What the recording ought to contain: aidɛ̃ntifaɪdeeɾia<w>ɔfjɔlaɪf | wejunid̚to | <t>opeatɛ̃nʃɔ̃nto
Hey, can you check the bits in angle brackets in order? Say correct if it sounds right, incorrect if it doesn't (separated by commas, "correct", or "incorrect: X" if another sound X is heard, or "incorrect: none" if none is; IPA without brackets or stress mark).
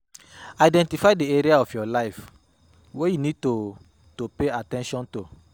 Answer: incorrect: none, correct